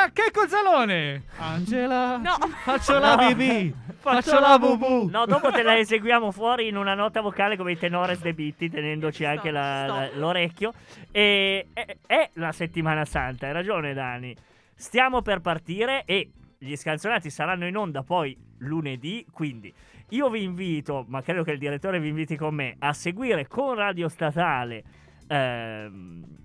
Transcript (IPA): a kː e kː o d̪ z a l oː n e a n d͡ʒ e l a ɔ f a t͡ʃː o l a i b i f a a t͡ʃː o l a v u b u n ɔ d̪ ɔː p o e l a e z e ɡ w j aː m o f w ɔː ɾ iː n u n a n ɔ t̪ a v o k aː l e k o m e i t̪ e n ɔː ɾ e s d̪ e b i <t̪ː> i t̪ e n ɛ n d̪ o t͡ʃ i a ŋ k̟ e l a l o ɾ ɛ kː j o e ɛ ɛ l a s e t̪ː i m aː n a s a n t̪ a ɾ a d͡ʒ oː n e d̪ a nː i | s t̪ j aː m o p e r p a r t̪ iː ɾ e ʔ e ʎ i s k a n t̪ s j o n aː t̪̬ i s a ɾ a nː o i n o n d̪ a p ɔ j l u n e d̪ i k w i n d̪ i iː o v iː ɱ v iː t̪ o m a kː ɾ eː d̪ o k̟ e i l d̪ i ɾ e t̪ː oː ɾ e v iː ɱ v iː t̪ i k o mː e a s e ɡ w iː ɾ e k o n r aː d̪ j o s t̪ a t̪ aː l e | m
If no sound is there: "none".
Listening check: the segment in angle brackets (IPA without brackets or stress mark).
t̪ː